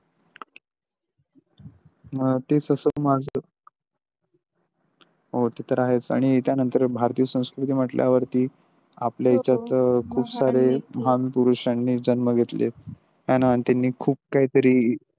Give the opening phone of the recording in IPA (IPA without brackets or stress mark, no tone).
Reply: t̪